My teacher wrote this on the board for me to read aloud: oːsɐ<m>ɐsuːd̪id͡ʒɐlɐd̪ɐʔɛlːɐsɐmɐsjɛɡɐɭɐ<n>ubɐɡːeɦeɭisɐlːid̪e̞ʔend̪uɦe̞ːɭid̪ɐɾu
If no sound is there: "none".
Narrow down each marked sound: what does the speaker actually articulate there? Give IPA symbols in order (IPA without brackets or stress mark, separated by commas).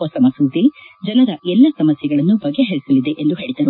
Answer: m, nː